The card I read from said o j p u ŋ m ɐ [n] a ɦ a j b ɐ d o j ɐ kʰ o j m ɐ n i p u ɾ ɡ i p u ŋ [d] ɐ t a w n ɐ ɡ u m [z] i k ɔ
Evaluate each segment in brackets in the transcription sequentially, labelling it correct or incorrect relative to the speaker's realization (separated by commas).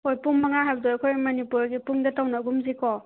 incorrect, correct, correct